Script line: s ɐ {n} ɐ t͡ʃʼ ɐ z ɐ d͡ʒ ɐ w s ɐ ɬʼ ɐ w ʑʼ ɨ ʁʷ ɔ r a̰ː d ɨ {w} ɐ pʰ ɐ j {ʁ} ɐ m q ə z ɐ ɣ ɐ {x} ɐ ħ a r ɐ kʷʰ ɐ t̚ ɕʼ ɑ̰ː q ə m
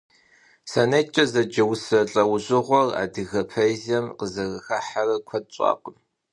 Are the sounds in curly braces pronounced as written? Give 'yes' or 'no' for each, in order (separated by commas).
yes, no, no, yes